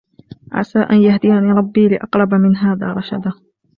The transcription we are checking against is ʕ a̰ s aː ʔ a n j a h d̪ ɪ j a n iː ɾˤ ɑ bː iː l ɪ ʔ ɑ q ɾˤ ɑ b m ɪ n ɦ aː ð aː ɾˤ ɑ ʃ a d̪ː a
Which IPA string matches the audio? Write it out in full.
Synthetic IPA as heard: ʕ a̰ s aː ʔ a n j a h d̪ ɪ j a n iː ɾˤ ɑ bː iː l ɪ ʔ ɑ q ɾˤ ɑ b m ɪ n ɦ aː ð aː ɾˤ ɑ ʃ a d̪ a